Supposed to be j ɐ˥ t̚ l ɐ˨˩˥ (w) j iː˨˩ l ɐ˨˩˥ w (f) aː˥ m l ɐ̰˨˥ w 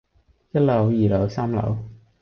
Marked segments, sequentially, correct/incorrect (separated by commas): correct, incorrect